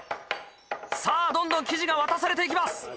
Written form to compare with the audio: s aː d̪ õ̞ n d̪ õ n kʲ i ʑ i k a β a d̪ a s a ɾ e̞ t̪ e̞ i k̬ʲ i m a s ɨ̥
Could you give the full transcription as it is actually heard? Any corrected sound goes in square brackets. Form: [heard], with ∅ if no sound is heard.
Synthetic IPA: s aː d̪ õ̞ n d̪ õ [ŋ] kʲ i ʑ i [ɡ] a β a [t̪] a s a ɾ e̞ t̪ e̞ i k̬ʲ i m a s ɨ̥